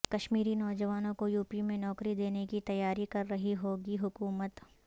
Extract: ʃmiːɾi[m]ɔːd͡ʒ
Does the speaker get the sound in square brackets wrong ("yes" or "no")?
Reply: yes